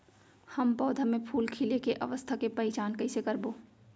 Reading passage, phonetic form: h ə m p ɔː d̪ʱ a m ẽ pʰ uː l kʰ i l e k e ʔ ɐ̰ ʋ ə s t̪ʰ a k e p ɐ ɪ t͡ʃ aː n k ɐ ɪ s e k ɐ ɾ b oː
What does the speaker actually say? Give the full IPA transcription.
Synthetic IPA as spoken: h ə m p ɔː d̪ʱ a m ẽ pʰ uː l kʰ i l e k e ʔ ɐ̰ ʋ ə s t̪ʰ a k e p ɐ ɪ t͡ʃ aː n k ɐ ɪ s e k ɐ ɾ b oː